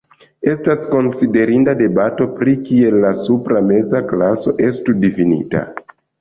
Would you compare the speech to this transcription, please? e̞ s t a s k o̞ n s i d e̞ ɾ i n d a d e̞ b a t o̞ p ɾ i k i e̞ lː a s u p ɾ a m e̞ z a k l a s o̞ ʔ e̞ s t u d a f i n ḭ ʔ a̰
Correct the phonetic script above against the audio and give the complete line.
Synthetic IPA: e̞ s t a s k o̞ n s i d e̞ ɾ i n d a d e̞ b a t o̞ p ɾ i k i e̞ lː a s u p ɾ a m e̞ z a k l a s o̞ ʔ e̞ s t u d i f i n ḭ t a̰